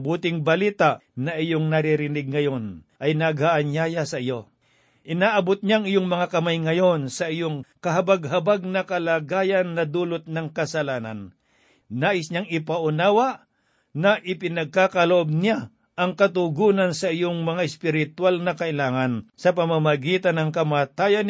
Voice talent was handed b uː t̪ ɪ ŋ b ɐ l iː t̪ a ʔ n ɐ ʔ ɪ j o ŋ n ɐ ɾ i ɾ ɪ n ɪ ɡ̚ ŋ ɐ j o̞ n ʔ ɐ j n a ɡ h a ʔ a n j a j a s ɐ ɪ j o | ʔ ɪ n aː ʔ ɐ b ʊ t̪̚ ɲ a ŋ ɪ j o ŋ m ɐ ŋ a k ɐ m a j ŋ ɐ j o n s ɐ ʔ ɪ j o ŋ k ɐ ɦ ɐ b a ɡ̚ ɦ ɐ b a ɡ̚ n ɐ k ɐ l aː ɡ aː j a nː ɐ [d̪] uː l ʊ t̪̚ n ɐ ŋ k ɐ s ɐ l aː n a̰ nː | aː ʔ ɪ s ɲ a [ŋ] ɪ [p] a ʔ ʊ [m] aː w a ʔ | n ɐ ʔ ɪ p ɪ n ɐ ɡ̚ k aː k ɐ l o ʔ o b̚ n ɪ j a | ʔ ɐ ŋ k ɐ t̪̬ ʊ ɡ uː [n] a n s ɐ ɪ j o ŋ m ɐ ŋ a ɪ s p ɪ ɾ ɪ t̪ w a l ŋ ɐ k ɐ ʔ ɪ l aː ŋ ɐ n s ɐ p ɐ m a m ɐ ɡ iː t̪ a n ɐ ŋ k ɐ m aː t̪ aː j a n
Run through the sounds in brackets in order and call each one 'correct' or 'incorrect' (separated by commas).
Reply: correct, correct, correct, incorrect, correct